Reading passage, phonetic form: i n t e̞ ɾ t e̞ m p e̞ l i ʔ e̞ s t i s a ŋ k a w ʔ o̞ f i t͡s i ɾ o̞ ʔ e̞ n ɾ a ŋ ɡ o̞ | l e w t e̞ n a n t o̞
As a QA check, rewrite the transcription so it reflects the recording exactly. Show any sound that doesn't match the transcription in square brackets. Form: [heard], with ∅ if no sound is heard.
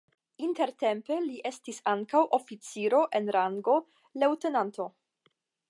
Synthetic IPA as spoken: i n t e̞ ɾ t e̞ m p e̞ l i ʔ e̞ s t i s a ŋ k a w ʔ o̞ f i t͡s i ɾ o̞ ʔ e̞ n ɾ a ŋ ɡ o̞ | l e w t e̞ n a n t o̞

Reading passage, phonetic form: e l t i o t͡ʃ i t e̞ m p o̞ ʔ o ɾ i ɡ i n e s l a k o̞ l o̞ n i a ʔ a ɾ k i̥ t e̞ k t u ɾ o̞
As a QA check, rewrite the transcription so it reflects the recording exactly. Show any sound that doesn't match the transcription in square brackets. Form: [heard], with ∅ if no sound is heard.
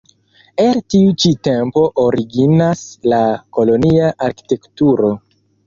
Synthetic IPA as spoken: e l t i [u] t͡ʃ i t e̞ m p o̞ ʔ o ɾ i ɡ i n [a] s l a k o̞ l o̞ n i a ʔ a ɾ k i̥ t e̞ k t u ɾ o̞

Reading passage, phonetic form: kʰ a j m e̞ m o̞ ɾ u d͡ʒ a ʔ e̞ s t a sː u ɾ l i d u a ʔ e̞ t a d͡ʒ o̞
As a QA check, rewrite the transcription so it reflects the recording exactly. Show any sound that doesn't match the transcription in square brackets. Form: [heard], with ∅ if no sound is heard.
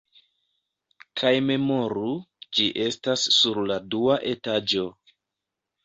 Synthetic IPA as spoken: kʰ a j m e̞ m o̞ ɾ u d͡ʒ [i] ʔ e̞ s t a sː u ɾ l [a] d u a ʔ e̞ t a d͡ʒ o̞

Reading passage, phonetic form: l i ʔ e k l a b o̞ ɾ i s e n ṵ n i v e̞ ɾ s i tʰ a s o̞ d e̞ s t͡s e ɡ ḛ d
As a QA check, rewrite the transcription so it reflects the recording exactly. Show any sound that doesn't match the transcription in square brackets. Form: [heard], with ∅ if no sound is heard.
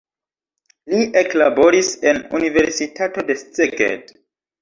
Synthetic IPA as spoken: l i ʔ e k l a b o̞ ɾ i s e n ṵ n i v e̞ ɾ s i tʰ a [t] o̞ d e̞ s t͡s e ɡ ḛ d

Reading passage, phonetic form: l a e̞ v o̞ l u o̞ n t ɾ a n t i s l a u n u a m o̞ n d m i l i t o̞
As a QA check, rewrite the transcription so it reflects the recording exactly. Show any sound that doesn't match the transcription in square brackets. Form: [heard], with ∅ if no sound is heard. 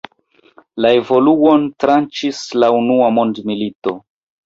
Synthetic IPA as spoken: l a e̞ v o̞ l u o̞ n t ɾ a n [t͡ʃ] i s l a u n u a m o̞ n d m i l i t o̞

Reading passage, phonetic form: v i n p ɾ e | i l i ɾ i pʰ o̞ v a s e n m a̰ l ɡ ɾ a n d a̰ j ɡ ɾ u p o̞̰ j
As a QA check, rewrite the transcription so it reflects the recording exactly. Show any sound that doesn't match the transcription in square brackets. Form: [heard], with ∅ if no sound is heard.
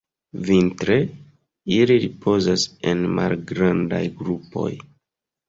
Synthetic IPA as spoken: v i n [t] ɾ e | i l i ɾ i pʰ o̞ [z] a s e n m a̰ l ɡ ɾ a n d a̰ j ɡ ɾ u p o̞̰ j

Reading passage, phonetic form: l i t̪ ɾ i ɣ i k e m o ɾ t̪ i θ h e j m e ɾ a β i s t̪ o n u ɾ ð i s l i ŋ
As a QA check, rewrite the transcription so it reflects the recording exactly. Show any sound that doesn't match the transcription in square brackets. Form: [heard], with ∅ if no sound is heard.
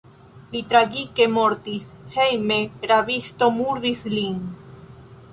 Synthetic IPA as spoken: l i t̪ ɾ [a] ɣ i k e m o ɾ t̪ i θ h e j m e ɾ a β i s t̪ o [m] u ɾ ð i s l i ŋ

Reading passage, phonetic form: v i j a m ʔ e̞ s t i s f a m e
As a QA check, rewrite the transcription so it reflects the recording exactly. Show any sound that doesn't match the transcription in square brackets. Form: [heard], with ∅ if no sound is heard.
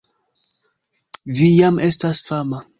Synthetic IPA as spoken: v i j a m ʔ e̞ s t [a] s f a m [a]

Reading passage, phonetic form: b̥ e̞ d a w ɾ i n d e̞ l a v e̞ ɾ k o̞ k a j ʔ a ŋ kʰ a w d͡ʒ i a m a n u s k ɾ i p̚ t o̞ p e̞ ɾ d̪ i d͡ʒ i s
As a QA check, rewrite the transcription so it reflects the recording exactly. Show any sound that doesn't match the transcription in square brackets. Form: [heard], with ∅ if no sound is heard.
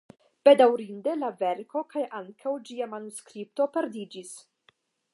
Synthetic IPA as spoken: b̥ e̞ d a w ɾ i n d e̞ l a v e̞ ɾ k o̞ k a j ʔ a ŋ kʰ a w d͡ʒ i a m a n u s k ɾ i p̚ t o̞ p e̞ ɾ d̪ i d͡ʒ i s

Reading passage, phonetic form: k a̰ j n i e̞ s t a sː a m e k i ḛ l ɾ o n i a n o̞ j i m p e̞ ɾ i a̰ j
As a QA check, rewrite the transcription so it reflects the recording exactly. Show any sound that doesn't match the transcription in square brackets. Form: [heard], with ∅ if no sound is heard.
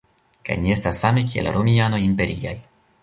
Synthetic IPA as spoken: k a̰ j n i e̞ s t a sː a m e k i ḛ l ɾ o [m] i a n o̞ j i m p e̞ ɾ i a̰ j

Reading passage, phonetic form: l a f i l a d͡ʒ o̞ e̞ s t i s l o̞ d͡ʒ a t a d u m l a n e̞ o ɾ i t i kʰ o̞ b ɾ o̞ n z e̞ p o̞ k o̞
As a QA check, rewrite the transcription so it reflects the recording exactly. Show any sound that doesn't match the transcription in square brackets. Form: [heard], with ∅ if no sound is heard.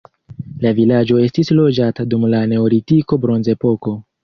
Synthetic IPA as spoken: l a [v] i l a d͡ʒ o̞ e̞ s t i s l o̞ d͡ʒ a t a d u m l a n e̞ o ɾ i t i [k] o̞ b ɾ o̞ n z e̞ p o̞ k o̞

